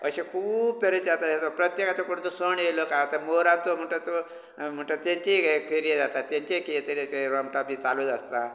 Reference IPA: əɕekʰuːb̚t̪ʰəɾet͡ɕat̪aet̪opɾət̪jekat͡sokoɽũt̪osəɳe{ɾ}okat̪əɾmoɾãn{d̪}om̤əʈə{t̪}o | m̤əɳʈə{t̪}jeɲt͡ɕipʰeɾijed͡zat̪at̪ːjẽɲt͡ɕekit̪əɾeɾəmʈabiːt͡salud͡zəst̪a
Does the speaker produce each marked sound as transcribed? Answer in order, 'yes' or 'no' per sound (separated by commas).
no, no, yes, yes